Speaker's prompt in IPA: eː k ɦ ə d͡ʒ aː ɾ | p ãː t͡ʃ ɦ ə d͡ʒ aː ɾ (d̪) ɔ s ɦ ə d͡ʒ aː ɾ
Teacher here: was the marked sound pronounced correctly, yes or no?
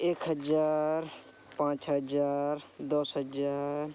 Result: yes